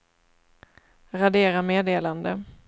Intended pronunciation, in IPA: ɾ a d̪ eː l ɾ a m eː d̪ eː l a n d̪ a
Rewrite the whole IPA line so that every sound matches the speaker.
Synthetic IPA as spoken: ɾ a d̪ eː ɾ a m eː d̪ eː l a n d̪ ə